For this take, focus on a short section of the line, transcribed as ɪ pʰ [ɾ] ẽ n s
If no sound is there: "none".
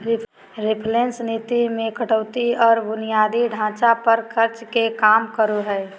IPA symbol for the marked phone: l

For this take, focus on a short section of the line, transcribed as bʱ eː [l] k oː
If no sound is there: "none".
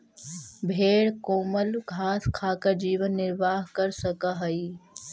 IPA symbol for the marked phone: ɽ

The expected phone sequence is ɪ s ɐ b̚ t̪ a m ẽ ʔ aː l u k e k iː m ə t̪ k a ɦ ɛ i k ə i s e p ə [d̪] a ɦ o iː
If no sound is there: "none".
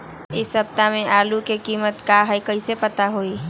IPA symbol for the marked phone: t̪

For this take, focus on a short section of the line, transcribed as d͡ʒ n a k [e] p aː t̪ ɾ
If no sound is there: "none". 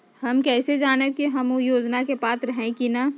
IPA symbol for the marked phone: e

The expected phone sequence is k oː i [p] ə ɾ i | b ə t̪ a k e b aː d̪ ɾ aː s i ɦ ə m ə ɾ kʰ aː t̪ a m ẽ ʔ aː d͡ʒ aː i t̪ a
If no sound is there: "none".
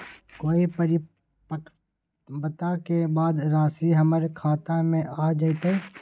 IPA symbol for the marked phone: p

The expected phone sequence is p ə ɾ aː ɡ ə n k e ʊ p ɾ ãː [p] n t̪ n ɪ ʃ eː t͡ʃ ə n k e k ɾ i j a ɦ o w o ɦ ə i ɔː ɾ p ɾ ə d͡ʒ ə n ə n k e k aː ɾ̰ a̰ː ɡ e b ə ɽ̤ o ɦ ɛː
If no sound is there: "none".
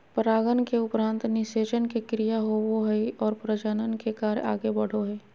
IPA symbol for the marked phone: none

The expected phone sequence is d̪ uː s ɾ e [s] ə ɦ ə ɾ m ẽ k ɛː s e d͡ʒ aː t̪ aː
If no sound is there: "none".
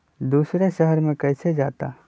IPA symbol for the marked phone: ʃ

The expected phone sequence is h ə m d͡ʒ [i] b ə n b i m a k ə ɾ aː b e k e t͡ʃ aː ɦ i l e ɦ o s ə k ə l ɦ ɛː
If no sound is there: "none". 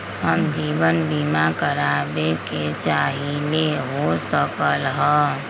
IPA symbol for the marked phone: iː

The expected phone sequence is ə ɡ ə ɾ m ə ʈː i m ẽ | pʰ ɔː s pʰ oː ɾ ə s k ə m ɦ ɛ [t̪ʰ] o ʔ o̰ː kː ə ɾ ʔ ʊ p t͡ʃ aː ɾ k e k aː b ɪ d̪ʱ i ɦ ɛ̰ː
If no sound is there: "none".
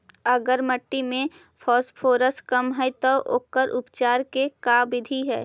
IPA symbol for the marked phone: t̪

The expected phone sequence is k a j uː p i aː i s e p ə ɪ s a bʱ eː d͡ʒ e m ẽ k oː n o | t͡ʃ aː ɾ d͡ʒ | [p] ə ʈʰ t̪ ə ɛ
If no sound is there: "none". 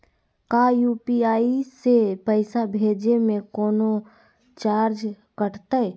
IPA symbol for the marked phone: k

